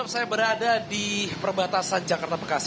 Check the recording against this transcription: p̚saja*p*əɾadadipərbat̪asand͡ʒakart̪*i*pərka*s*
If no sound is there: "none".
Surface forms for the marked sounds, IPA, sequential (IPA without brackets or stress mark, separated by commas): b, a, s